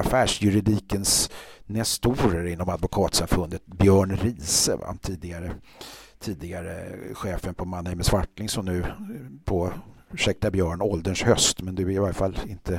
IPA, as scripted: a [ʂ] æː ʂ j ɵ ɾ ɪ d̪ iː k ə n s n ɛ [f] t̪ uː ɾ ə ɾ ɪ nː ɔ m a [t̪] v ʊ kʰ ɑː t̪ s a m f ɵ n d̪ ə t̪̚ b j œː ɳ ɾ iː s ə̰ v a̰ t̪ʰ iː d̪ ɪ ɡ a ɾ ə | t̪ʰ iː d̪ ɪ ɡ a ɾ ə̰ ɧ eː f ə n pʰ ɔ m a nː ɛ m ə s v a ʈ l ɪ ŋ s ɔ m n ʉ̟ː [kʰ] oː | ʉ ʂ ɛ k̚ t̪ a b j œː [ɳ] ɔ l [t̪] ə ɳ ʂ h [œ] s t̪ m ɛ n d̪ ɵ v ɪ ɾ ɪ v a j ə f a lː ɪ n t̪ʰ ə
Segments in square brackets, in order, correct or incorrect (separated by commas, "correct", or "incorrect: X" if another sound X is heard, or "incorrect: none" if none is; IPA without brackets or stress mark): incorrect: f, incorrect: s, incorrect: d̪, incorrect: pʰ, correct, incorrect: d̪, correct